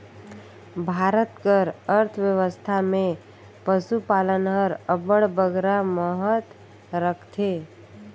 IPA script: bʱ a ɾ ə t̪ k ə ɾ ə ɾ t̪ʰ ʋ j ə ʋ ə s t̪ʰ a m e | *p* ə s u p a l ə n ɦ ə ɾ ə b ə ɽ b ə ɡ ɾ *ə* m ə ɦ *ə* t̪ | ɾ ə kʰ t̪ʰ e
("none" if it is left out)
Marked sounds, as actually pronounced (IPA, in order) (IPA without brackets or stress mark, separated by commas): p, a, ə